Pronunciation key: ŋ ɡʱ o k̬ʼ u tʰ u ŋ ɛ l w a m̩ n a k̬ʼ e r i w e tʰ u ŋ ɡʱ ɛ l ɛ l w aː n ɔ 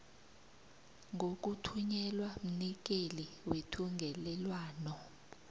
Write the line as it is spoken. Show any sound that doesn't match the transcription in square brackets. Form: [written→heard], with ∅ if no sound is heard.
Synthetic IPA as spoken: ŋ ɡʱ o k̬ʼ u tʰ u [ŋ→ɲ] ɛ l w a m̩ n [a→i] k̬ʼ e [r→l] i w e tʰ u ŋ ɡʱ ɛ l ɛ l w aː n ɔ